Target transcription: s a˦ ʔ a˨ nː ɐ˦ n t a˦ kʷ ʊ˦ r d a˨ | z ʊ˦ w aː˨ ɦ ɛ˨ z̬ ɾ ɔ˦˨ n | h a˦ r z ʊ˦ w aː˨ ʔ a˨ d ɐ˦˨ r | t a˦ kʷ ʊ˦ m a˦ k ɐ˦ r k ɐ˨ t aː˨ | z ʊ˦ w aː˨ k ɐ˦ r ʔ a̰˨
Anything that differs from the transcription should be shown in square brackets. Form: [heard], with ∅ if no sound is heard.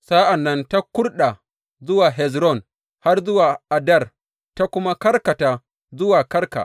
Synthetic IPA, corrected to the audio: s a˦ ʔ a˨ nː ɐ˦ n t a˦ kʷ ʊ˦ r [ɗ] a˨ | z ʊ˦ w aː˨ ɦ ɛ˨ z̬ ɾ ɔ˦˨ n | h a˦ r z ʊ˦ w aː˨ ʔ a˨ d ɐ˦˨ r | t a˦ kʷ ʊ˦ m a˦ k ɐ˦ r k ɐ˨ t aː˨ | z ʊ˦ w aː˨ k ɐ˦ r [k] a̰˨

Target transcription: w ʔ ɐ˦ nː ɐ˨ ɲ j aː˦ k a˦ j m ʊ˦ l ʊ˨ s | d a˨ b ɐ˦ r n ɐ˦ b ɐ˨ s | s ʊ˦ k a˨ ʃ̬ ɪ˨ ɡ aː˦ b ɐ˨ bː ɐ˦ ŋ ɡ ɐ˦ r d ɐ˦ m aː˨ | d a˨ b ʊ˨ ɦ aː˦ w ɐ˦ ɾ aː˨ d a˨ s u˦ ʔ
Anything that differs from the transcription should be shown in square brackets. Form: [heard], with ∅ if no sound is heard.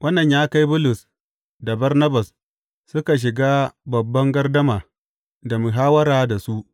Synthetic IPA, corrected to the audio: w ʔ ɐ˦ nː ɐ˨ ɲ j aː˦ k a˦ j [b] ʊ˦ l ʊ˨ s | d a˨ b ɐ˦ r n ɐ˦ b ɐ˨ s | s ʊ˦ k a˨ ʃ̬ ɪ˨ ɡ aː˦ b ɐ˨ bː ɐ˦ ŋ ɡ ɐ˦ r d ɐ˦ m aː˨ | d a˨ [m] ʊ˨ ɦ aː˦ w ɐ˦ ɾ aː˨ d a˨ s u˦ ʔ

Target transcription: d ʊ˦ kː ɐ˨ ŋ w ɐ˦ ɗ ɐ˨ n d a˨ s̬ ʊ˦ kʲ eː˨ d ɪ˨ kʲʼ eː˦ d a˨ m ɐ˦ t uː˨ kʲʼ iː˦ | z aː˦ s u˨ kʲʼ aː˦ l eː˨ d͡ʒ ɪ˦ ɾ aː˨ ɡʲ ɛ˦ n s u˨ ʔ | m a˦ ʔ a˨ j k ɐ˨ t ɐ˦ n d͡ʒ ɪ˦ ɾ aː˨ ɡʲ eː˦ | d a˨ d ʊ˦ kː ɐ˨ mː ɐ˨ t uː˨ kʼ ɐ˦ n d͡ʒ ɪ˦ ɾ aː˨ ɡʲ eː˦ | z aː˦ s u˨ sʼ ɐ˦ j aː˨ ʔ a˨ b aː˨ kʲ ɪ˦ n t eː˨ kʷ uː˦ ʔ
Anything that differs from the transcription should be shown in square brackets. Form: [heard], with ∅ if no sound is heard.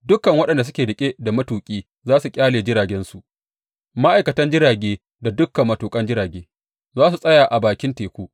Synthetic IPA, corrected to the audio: d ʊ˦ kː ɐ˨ ŋ w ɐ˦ ɗ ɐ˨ n d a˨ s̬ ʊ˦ kʲ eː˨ d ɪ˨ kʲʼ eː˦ d a˨ m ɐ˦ t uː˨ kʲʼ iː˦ | z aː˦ s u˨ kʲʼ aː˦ l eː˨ d͡ʒ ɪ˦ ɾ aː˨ ɡʲ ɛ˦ n s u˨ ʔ | m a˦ ʔ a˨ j k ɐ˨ t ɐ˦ n d͡ʒ ɪ˦ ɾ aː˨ ɡʲ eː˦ | d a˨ d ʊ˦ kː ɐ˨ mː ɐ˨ t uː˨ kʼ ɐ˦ n d͡ʒ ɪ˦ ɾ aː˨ ɡʲ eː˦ | z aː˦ s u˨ sʼ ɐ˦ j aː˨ ʔ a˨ b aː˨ kʲ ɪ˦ n t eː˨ kʷ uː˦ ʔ

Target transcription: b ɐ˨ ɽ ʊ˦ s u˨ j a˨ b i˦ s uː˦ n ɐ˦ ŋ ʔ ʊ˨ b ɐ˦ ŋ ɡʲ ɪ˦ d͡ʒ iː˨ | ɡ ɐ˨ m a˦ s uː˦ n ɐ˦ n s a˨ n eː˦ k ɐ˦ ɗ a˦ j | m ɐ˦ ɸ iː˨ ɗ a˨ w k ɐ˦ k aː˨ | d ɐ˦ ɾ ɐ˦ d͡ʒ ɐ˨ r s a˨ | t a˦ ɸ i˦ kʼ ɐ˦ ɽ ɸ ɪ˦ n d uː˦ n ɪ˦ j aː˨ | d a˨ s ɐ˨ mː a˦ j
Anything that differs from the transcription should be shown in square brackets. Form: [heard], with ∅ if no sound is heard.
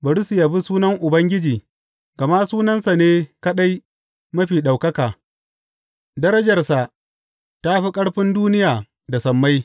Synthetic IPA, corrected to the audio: b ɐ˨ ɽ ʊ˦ s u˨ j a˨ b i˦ s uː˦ n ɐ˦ ŋ ʔ ʊ˨ b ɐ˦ ŋ ɡʲ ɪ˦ d͡ʒ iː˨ | ɡ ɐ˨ m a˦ s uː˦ n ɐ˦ n s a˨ n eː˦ k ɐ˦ ɗ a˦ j | m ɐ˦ ɸ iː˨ ɗ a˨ w k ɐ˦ k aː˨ | d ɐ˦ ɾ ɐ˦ d͡ʒ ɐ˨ r s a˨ | t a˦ ɸ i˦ kʼ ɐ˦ ɽ ɸ ɪ˦ n d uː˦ n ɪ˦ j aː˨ | d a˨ s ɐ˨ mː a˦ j

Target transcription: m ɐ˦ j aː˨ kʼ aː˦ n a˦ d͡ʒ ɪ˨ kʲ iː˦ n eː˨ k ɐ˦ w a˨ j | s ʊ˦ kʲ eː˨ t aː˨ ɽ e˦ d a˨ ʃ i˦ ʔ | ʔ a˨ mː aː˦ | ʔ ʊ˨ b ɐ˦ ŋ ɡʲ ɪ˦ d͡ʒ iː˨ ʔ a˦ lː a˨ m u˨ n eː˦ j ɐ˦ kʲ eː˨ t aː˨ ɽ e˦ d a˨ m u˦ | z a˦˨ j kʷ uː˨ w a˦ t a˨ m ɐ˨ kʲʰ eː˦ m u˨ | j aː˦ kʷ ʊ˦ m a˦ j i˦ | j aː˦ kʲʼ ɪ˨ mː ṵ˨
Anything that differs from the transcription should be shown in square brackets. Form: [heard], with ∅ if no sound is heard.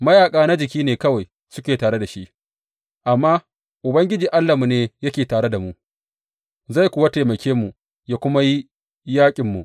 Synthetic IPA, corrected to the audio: m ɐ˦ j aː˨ kʼ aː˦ n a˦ d͡ʒ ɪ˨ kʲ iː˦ n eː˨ k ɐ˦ w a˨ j | s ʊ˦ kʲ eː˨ t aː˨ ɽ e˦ d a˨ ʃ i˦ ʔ | ʔ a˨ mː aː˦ | ʔ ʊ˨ b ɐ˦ ŋ ɡʲ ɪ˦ d͡ʒ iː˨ ʔ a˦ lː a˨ m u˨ n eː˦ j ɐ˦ kʲ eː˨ t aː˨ ɽ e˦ d a˨ m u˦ | z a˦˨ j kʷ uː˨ w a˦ t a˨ m ɐ˨ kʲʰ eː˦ m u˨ | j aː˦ kʷ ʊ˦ m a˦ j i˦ | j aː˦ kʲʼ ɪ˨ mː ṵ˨

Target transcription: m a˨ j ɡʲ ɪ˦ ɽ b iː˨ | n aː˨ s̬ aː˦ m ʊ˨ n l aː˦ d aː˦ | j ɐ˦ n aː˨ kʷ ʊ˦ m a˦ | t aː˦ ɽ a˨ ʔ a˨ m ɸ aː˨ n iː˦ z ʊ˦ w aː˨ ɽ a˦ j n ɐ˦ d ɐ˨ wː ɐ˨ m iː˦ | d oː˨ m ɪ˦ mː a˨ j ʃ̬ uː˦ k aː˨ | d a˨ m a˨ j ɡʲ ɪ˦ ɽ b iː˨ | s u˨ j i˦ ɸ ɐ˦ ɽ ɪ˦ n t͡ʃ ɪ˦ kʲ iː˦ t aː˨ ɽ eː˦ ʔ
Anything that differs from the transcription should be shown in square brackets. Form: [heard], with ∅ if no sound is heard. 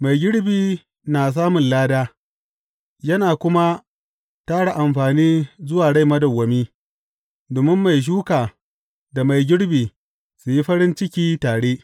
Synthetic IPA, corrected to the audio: m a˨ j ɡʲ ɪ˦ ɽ b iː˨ | n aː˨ s̬ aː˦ m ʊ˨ n l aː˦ d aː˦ | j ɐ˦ n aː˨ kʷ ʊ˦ m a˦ | t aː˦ ɽ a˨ ʔ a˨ m ɸ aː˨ n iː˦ z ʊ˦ w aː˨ ɽ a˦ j [m] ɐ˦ d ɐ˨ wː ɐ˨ m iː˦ | d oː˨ m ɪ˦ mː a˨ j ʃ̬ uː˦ k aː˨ | d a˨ m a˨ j ɡʲ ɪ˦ ɽ b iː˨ | s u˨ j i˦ ɸ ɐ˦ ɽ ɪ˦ n t͡ʃ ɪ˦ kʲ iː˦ t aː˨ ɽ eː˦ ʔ

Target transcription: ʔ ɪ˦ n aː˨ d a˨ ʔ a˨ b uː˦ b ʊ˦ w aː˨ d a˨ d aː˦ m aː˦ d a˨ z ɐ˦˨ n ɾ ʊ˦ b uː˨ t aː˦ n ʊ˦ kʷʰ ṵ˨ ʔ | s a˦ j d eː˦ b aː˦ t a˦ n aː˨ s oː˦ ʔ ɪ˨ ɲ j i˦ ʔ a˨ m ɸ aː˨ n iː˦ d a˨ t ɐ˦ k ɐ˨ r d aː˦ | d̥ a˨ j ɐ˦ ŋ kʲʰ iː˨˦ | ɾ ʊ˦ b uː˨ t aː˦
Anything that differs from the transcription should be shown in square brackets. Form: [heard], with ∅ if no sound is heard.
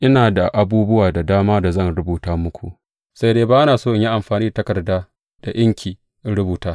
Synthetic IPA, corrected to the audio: ʔ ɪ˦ n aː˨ d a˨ ʔ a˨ b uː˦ b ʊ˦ w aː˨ d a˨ d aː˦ m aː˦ d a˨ z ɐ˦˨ n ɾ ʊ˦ b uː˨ t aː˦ [m] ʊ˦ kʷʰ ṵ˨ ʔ | s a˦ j d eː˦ b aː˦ [ʔ] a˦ n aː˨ s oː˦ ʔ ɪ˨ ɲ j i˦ ʔ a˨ m ɸ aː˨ n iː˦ d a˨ t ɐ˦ k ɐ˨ r d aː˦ | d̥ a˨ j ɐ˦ ŋ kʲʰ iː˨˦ | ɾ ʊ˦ b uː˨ t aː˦

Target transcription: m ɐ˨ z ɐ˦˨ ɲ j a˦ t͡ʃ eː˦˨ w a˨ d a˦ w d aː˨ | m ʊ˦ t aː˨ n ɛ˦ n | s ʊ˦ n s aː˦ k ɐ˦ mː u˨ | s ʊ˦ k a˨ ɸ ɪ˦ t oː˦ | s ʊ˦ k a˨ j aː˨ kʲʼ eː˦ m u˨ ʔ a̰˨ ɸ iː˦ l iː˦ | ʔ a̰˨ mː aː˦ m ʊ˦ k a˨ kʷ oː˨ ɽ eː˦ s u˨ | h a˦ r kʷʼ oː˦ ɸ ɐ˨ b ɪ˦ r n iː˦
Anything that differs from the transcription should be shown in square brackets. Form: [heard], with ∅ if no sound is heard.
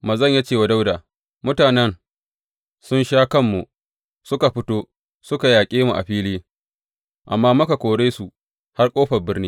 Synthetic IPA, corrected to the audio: m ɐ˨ z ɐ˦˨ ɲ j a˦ t͡ʃ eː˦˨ w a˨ d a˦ w d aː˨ | m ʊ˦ t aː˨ n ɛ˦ n | s ʊ˦ n [ʃ] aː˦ k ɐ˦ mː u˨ | s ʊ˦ k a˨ ɸ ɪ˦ t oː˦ | s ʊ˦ k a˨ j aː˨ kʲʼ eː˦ m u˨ ʔ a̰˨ ɸ iː˦ l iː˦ | ʔ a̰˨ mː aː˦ m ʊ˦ k a˨ kʷ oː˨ ɽ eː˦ s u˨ | h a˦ r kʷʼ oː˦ ɸ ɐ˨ b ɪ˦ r n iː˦

